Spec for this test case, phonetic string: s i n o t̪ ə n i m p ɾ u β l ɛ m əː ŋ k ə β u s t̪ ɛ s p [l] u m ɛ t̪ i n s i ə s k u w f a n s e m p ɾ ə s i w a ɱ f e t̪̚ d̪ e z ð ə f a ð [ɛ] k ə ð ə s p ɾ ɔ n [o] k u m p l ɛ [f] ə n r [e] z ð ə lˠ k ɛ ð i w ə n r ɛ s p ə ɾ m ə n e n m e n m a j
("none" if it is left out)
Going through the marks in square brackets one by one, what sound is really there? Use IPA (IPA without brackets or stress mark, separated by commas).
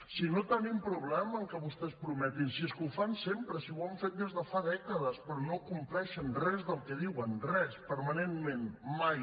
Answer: ɾ, ɛ, o, ʃ, ɛ